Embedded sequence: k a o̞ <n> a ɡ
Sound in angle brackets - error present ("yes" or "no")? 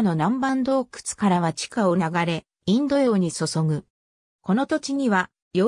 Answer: no